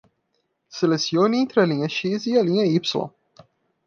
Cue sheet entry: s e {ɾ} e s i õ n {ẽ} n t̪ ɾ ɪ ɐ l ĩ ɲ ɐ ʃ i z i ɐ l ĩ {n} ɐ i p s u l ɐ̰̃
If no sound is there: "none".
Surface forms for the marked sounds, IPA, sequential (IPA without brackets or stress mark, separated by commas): l, ẽ, ɲ